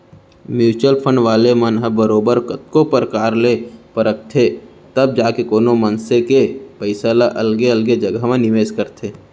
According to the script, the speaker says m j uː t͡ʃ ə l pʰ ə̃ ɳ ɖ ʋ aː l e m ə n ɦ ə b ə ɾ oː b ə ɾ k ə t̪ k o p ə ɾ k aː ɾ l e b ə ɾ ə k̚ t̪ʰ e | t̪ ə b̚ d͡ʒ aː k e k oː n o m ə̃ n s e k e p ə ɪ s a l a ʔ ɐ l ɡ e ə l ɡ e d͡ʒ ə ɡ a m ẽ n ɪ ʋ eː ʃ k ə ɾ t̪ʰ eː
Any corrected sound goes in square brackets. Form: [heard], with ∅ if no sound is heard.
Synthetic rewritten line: m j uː t͡ʃ ə l pʰ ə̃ ɳ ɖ ʋ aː l e m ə n ɦ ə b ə ɾ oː b ə ɾ k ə t̪ k o p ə ɾ k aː ɾ l e [p] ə ɾ ə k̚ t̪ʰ e | t̪ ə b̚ d͡ʒ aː k e k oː n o m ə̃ n s e k e p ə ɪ s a l a ʔ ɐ l ɡ e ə l ɡ e d͡ʒ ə ɡ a m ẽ n ɪ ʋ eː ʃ k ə ɾ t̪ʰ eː